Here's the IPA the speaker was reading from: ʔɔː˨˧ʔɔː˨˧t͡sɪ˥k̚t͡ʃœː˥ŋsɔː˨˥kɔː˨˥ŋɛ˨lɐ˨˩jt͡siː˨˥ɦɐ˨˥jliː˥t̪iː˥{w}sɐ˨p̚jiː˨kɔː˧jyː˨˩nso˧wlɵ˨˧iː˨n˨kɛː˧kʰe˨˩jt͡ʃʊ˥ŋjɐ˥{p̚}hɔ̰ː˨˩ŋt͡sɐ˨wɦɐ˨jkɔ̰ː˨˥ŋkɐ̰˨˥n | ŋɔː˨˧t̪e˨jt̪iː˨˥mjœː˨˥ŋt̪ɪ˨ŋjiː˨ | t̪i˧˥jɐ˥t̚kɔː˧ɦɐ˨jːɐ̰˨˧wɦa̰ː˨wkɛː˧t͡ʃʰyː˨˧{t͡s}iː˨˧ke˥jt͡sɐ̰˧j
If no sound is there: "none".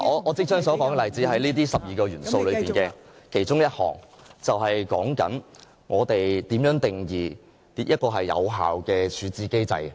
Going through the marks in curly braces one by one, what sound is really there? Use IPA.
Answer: none, t̚, t͡s

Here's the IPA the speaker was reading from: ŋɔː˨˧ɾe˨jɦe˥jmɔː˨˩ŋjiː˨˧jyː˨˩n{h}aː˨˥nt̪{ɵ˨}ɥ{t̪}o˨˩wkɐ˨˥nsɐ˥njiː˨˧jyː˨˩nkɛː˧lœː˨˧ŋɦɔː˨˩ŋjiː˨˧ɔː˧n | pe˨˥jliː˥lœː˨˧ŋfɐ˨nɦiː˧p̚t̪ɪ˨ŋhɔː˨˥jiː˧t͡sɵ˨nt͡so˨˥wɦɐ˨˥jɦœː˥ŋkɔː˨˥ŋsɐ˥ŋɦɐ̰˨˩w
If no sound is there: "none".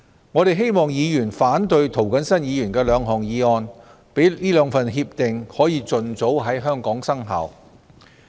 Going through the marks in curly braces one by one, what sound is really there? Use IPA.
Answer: f, ɵ˨, t̪ʰ

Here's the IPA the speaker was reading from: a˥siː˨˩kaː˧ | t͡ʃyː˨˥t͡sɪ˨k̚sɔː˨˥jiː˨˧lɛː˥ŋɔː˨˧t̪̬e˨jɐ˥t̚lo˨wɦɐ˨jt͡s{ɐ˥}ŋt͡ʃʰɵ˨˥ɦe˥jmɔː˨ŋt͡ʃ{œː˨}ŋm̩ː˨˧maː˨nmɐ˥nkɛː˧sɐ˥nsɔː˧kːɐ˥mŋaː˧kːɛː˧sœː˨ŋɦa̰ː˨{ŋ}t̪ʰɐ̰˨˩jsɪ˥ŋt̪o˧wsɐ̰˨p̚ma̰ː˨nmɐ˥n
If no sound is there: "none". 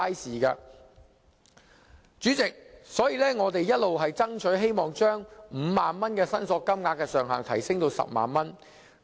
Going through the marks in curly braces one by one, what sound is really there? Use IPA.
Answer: ɐ˥, œː˥, ŋ

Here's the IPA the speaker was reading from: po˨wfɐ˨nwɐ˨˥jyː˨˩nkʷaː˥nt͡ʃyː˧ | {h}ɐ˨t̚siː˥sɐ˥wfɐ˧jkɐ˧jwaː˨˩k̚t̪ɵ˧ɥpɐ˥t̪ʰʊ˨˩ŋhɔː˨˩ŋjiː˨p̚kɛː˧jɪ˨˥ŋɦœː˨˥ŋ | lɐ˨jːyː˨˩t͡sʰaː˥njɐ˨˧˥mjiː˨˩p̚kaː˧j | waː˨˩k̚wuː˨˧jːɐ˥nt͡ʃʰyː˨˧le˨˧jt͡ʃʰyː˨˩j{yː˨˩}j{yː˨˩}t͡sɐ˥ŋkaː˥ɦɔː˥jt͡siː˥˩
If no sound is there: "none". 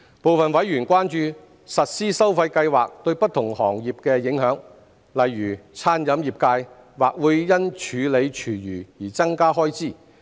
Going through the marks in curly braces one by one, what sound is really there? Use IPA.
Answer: s, yː˨˩, iː˨˩

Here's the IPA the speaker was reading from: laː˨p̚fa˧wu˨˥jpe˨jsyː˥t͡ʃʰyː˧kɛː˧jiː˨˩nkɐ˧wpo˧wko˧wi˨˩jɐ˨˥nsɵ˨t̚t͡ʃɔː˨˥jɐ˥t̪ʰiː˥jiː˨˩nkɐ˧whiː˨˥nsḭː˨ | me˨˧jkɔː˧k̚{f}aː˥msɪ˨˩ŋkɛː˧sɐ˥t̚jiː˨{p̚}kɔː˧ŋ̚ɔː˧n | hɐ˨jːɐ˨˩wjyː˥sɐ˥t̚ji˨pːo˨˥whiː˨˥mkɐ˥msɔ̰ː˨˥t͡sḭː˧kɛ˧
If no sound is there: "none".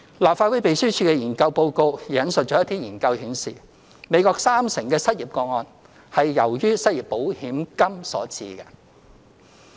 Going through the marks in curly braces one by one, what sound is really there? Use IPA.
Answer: s, p̚

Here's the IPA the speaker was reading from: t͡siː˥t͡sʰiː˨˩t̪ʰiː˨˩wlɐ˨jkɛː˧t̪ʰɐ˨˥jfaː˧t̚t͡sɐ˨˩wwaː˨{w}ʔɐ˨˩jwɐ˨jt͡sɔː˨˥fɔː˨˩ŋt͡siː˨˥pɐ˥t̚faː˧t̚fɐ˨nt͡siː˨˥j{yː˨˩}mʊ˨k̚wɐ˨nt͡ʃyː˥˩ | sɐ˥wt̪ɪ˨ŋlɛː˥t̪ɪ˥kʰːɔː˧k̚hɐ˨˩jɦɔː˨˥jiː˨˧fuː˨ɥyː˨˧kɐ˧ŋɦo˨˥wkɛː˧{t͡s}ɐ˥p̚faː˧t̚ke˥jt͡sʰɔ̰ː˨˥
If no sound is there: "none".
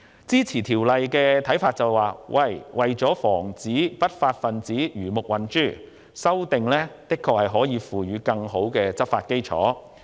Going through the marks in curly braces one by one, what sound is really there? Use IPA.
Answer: w, yː˨˩, t͡s

